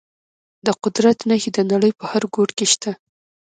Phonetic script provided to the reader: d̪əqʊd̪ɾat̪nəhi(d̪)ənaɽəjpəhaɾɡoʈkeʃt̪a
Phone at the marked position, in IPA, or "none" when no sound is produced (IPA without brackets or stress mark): d̪